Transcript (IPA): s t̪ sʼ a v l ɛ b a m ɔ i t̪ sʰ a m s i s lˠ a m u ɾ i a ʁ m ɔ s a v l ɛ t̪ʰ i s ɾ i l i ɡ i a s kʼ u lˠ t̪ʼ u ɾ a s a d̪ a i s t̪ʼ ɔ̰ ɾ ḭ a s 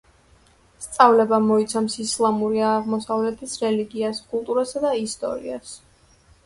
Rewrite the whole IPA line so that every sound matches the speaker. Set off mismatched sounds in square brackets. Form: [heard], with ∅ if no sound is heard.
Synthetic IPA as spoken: s t̪ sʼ a v l ɛ b a m ɔ i t̪ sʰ a m s i s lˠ a m u ɾ i a ʁ m ɔ s a v l ɛ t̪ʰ i s ɾ [ɛ] l i ɡ i a s kʼ u lˠ t̪ʼ u ɾ a s a d̪ a i s t̪ʼ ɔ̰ ɾ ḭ a s